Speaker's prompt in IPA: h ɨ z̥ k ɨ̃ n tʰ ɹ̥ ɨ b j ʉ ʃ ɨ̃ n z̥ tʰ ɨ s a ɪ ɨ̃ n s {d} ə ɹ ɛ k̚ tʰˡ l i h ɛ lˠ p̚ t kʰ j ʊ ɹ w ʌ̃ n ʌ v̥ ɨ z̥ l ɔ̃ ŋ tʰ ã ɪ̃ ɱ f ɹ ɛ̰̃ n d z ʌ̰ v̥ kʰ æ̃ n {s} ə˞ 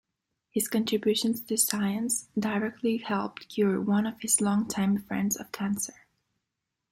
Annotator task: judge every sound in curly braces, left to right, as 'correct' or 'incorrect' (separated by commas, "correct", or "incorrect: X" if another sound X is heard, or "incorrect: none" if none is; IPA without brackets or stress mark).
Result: correct, correct